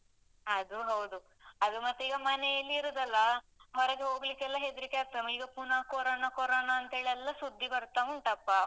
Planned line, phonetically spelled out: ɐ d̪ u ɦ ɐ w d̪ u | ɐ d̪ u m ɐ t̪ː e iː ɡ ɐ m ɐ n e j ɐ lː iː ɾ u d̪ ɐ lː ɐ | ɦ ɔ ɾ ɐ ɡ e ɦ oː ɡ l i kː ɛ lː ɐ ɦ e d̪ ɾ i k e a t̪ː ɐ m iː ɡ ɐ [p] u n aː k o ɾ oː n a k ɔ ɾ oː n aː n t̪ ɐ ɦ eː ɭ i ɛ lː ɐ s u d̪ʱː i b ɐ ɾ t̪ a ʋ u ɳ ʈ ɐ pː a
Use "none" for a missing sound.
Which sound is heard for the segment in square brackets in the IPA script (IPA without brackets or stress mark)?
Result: p